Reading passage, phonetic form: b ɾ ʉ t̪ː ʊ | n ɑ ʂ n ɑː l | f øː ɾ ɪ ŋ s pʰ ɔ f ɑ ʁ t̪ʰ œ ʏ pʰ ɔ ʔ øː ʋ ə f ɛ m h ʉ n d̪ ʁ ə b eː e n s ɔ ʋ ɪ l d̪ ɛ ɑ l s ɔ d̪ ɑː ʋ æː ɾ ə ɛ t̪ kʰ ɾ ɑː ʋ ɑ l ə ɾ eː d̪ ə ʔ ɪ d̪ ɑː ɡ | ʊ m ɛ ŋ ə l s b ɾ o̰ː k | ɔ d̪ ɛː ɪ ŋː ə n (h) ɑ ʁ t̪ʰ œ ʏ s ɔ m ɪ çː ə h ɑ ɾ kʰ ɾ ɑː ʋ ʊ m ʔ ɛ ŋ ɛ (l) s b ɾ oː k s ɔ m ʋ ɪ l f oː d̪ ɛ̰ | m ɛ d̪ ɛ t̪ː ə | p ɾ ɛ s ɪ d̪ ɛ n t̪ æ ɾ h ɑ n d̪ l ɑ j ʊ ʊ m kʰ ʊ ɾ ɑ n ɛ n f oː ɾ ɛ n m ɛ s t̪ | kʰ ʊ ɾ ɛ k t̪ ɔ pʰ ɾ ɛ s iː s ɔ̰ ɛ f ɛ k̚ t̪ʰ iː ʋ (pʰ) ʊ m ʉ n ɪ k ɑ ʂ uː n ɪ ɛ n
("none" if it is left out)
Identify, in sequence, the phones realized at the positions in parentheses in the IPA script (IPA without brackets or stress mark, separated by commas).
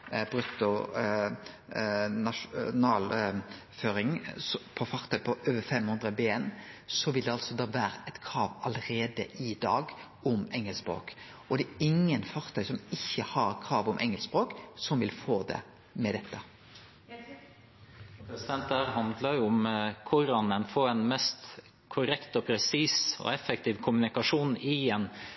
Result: f, l, kʰ